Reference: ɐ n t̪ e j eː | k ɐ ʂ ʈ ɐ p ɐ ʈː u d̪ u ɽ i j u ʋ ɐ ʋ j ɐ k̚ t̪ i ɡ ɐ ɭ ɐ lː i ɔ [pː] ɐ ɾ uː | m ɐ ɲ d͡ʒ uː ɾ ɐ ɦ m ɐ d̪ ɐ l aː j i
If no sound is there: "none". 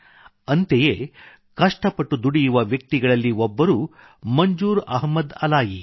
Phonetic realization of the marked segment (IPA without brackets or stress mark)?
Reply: bː